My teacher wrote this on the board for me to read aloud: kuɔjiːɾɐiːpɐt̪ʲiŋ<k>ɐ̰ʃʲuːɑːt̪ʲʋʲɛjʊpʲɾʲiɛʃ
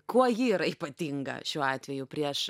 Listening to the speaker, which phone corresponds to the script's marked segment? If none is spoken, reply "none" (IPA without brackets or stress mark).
ɡ